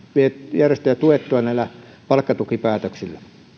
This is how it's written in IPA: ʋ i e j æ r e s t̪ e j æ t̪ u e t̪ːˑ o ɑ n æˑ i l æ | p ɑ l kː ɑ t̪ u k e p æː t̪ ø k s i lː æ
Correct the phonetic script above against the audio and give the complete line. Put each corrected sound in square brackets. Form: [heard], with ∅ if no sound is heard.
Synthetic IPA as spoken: ʋ i e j æ r e s t̪ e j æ t̪ u e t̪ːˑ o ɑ n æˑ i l æ | p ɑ l kː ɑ t̪ u k [i] p æː t̪ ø k s i lː æ